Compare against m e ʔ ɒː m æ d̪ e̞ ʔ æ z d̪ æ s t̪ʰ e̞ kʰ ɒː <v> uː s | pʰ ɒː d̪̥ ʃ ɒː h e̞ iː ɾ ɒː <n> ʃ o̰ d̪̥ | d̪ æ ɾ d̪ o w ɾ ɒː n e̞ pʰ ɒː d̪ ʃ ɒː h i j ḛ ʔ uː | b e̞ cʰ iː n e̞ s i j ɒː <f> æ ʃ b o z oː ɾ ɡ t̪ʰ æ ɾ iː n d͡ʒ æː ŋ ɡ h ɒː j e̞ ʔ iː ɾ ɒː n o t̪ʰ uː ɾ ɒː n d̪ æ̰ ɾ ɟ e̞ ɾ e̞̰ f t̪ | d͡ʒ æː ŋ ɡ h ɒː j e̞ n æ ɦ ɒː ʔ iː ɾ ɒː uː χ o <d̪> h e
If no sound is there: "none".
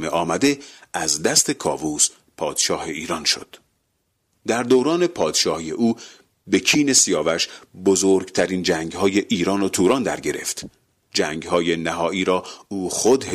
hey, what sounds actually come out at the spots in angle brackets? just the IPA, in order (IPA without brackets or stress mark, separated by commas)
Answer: v, n, v, d̪